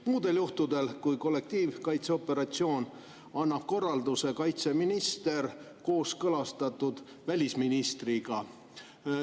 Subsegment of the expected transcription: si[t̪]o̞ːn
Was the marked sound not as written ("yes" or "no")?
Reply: yes